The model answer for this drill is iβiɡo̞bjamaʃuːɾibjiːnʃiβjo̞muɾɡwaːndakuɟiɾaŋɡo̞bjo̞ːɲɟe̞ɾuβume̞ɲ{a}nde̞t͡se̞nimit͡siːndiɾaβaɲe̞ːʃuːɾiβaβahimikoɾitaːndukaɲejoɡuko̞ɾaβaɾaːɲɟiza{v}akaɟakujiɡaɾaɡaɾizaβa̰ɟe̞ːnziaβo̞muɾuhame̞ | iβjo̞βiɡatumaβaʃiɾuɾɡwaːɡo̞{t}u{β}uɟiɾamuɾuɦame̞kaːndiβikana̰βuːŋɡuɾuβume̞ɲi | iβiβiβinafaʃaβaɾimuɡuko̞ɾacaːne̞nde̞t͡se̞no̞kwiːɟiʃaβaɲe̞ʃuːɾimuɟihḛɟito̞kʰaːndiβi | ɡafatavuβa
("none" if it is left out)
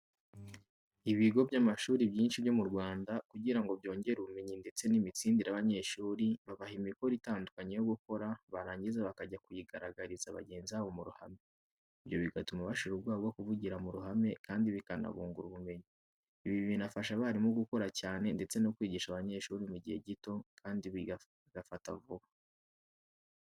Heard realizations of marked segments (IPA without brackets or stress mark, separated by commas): i, β, k, v